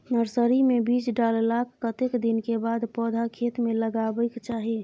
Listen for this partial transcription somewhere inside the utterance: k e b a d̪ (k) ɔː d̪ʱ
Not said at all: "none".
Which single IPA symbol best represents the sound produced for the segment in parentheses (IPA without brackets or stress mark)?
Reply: p